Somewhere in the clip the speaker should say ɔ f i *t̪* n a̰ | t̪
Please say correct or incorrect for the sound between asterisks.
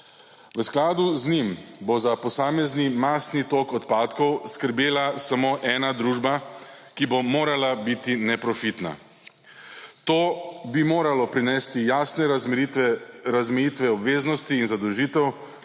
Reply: correct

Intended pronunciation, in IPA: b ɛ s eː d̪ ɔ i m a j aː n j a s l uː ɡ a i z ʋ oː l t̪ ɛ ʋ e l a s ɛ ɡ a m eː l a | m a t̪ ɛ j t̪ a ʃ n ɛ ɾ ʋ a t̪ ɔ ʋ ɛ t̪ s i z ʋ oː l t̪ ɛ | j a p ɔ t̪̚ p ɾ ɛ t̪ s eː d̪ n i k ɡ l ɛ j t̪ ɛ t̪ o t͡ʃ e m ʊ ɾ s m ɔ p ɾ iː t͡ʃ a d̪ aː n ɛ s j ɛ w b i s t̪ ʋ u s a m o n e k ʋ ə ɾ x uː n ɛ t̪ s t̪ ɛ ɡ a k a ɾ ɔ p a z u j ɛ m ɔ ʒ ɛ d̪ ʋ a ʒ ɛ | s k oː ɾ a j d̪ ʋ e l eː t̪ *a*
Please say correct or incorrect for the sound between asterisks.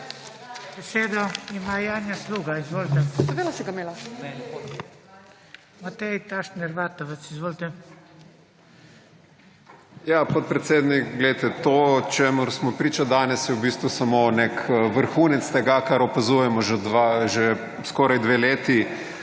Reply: incorrect: i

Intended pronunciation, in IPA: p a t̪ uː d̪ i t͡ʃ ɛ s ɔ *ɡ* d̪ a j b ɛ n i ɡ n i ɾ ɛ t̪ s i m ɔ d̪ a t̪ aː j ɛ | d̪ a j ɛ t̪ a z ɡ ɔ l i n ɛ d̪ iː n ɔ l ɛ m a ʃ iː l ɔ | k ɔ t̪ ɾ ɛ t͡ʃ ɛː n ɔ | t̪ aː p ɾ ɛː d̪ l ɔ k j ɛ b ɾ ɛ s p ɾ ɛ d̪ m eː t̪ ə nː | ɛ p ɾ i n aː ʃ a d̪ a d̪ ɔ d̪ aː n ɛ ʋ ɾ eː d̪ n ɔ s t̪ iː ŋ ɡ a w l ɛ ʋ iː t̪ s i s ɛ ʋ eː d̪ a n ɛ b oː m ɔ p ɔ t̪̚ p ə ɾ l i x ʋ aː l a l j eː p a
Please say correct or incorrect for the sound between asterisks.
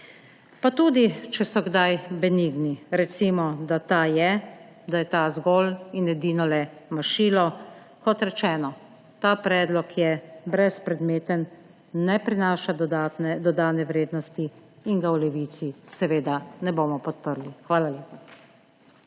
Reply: correct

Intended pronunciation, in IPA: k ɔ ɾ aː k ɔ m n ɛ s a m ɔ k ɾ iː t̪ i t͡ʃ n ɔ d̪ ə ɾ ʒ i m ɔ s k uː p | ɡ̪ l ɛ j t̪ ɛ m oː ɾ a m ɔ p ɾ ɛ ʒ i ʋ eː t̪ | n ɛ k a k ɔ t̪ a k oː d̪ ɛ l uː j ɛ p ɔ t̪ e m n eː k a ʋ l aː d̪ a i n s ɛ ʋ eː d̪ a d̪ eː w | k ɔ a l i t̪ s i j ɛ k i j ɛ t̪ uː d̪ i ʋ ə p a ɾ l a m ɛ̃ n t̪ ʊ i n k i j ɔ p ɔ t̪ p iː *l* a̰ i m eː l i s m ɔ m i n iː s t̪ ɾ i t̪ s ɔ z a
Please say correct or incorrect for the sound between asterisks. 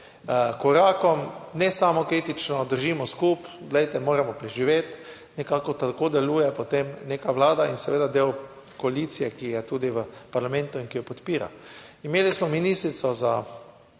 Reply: incorrect: ɾ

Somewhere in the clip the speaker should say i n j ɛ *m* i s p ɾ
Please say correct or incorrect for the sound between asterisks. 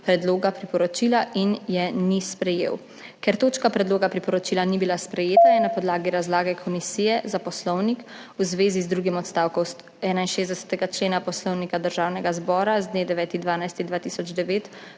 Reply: incorrect: n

